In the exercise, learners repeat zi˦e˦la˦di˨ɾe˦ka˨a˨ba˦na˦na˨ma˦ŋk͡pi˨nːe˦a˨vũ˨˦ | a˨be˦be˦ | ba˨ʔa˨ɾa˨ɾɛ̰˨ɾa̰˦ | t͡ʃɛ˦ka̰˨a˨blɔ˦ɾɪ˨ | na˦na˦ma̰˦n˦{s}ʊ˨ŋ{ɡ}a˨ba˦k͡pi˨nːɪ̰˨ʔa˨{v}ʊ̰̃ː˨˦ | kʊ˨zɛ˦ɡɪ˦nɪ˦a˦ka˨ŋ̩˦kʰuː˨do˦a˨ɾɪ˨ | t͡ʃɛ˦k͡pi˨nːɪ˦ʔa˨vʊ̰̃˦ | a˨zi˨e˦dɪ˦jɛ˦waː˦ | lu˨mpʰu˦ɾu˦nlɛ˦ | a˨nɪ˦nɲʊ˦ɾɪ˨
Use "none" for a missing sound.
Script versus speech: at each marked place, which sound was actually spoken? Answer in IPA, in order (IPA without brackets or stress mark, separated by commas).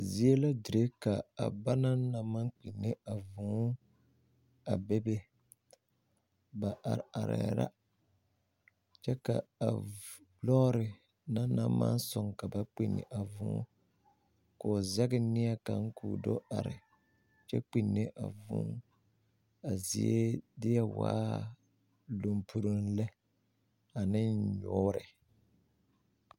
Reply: s, k, v